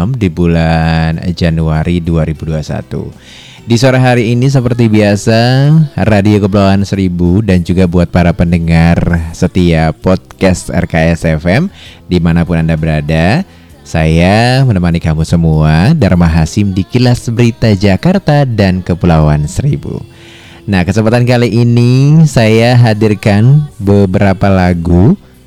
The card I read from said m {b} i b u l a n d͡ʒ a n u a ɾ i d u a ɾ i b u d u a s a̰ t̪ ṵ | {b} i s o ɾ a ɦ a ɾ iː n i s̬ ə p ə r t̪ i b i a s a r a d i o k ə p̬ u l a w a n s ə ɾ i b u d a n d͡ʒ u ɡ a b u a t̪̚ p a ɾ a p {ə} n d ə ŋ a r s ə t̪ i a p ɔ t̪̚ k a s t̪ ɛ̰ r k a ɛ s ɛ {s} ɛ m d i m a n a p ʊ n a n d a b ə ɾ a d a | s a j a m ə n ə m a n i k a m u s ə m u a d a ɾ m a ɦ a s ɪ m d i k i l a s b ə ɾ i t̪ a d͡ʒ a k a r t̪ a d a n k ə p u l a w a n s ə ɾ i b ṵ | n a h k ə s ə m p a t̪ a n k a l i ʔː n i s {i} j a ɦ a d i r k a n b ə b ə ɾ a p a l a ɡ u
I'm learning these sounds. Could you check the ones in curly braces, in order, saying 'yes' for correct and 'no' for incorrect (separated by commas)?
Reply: no, no, yes, no, no